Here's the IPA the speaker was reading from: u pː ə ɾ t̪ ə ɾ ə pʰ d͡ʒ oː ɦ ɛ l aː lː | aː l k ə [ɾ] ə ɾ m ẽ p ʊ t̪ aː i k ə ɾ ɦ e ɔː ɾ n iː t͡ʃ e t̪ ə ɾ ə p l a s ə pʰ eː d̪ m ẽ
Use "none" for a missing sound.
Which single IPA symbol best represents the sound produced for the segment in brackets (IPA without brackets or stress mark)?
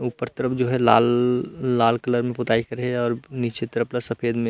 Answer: l